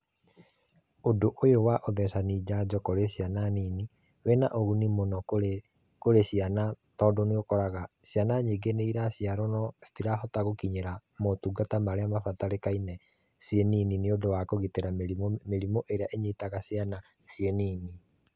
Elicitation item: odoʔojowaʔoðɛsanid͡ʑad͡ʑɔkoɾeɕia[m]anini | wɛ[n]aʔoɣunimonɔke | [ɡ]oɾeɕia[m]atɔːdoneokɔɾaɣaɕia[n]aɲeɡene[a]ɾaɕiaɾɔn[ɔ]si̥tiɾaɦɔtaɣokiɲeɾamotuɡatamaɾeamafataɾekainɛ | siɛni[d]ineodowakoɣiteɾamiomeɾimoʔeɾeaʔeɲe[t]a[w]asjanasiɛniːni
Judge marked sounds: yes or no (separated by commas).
no, yes, no, no, yes, no, yes, no, yes, no